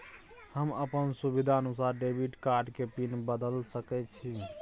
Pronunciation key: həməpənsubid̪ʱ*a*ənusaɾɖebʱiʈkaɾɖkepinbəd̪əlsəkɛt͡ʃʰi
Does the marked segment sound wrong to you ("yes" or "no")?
no